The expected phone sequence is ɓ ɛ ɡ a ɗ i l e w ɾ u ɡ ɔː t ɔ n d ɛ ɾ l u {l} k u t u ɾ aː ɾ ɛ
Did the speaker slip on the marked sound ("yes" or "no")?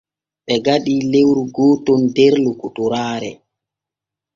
yes